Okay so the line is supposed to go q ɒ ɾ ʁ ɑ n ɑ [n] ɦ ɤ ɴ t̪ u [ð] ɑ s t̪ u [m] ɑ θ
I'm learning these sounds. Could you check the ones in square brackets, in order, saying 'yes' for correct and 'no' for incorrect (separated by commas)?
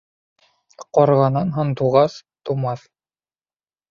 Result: yes, no, yes